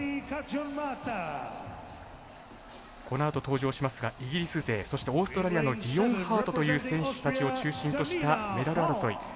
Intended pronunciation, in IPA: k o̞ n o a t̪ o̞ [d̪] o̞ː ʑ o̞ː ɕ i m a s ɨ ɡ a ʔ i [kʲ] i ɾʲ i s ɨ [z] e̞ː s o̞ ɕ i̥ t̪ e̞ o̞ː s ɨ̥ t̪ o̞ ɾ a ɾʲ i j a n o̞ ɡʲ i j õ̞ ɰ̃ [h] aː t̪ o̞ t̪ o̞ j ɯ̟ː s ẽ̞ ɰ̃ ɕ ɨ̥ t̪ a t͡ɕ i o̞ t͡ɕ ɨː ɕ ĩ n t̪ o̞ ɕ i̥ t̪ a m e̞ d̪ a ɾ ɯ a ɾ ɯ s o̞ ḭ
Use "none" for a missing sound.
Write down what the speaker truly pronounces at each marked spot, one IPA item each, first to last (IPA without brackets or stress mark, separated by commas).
t̪, ɡʲ, z, h